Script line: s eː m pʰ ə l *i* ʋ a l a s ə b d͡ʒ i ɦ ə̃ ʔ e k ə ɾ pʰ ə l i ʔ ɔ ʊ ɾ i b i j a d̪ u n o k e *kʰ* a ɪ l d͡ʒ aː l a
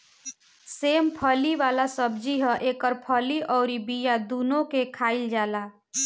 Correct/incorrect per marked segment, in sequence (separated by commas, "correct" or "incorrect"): correct, correct